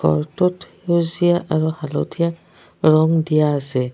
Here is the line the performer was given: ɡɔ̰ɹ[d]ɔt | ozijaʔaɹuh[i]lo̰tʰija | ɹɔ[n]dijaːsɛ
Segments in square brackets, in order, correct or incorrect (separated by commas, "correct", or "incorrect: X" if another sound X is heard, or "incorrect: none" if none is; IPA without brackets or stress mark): incorrect: t, incorrect: a, incorrect: ŋ